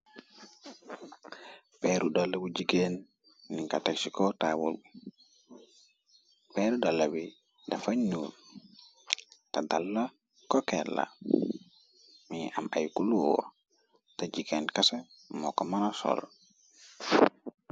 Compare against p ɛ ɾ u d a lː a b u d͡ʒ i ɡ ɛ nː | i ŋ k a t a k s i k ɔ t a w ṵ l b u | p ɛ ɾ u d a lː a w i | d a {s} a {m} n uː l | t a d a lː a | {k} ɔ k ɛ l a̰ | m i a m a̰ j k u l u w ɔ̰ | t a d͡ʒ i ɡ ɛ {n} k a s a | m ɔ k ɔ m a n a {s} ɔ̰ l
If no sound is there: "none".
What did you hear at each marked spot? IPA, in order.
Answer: f, ɲ, k, n, s

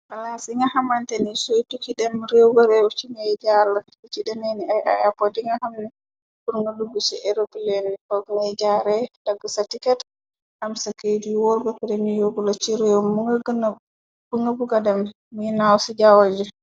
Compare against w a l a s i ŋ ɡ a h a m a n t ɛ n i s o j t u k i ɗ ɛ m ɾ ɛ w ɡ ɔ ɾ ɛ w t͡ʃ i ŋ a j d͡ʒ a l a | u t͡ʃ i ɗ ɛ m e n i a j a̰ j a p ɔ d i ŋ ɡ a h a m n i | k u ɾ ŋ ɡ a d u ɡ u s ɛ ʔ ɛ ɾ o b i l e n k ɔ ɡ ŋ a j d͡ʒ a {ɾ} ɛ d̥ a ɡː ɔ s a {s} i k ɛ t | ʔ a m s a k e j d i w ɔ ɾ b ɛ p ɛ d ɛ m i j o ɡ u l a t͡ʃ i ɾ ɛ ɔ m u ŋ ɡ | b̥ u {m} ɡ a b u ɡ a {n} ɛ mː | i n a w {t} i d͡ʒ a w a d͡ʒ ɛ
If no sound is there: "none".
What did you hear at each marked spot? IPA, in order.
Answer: ɾ, t, ŋ, d, s

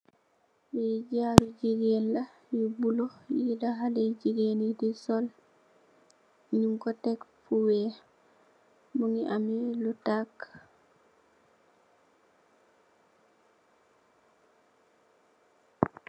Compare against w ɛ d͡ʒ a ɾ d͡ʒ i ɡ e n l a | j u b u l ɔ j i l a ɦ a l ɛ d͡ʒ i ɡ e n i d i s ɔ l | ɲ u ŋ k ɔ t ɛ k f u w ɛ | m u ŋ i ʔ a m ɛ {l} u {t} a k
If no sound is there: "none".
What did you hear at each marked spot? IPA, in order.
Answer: l, t

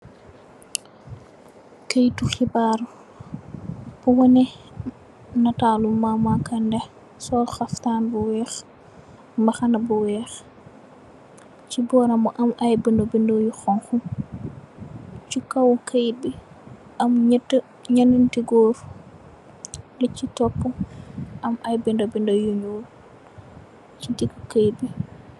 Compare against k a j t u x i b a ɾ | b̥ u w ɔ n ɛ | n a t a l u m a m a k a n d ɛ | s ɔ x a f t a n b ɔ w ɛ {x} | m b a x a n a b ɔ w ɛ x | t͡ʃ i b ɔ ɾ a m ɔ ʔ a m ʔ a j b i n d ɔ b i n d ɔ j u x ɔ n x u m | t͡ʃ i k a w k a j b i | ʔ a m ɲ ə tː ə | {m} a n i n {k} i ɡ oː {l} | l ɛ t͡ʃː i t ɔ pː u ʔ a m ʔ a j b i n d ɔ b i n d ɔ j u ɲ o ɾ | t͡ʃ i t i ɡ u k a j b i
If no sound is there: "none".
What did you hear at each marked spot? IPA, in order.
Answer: x, ɲ, t, ɾ

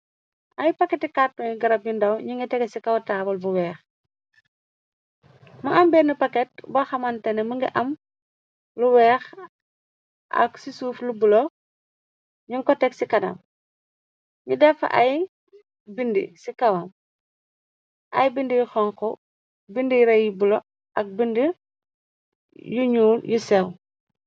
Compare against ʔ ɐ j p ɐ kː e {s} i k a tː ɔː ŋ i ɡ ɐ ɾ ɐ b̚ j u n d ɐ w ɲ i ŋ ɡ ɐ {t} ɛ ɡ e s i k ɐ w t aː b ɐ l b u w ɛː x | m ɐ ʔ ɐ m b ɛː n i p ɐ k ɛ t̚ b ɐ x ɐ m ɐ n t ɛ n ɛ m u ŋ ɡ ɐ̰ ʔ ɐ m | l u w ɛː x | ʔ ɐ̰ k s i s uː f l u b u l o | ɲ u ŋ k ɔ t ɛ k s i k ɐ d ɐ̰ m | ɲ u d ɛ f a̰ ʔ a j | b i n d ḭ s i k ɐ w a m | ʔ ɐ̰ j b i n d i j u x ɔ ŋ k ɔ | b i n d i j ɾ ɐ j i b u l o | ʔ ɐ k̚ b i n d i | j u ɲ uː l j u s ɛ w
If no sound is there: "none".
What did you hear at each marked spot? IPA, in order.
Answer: t, t

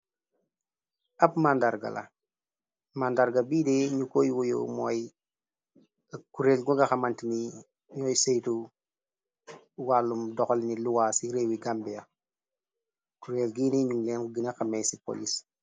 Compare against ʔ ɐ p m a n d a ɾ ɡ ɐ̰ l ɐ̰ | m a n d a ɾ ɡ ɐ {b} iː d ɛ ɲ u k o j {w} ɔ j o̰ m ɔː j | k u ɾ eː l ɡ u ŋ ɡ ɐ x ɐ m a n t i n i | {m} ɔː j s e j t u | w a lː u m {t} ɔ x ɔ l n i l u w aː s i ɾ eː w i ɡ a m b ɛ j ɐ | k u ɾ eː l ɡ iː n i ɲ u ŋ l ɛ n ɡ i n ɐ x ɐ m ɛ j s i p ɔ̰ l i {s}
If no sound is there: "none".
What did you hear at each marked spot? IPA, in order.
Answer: b, w, ɲ, d, s

